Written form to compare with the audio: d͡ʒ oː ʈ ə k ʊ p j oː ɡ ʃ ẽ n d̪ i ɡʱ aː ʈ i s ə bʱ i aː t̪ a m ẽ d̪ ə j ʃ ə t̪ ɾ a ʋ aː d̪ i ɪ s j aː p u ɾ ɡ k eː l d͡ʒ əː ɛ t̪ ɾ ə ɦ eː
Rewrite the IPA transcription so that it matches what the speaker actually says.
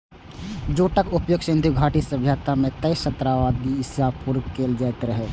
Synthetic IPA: d͡ʒ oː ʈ ə k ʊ p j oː ɡ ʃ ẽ n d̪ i ɡʱ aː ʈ i s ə bʱ j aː t̪ a m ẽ t̪ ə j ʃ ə t̪ ɾ a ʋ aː d̪ i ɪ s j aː p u ɾ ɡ k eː l d͡ʒ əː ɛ t̪ ɾ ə ɦ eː